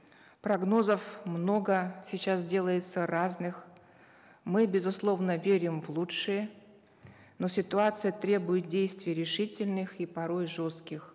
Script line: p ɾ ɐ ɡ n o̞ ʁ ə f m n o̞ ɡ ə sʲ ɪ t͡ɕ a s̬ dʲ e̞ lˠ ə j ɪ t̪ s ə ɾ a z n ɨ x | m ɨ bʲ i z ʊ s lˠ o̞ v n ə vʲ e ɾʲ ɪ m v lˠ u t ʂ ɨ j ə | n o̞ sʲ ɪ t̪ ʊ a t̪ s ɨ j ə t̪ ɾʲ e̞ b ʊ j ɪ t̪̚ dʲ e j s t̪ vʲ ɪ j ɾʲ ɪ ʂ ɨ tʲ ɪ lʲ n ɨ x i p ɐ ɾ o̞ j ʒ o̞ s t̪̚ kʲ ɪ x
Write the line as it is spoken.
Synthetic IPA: p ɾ ɐ ɡ n o̞ z ə f m n o̞ ɡ ə sʲ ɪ t͡ɕ a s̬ dʲ e̞ lˠ ə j ɪ t̪ s ə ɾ a z n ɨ x | m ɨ bʲ ɪ z ʊ s lˠ o̞ v n ə vʲ e ɾʲ ɪ m v lˠ u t ʂ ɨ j ə | n o̞ sʲ ɪ t̪ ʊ a t̪ s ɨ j ə t̪ ɾʲ e̞ b ʊ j ɪ t̪̚ dʲ e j s t̪ vʲ ɪ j ɾʲ ɪ ʂ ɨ tʲ ɪ lʲ n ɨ x i p ɐ ɾ o̞ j ʐ o̞ s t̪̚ kʲ ɪ x